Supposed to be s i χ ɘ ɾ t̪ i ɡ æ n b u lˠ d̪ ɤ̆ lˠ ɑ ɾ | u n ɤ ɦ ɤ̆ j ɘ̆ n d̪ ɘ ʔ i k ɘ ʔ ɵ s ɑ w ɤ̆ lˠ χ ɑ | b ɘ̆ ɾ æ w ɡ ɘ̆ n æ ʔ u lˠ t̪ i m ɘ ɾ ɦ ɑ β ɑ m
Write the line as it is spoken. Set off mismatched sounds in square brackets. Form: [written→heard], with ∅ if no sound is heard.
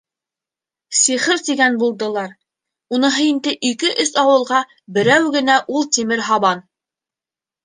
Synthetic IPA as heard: s i χ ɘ ɾ t̪ i ɡ æ n b u lˠ d̪ ɤ̆ lˠ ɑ ɾ | u n ɤ ɦ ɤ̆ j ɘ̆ n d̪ ɘ ʔ i k ɘ ʔ ɵ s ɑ w ɤ̆ lˠ [χ→ʁ] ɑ | b ɘ̆ ɾ æ w ɡ ɘ̆ n æ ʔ u lˠ t̪ i m ɘ ɾ ɦ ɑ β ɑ [m→n]